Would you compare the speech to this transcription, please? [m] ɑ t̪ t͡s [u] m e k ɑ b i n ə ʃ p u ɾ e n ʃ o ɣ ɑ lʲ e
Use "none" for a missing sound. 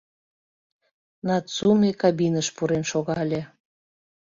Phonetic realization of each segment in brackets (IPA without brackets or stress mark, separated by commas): n, u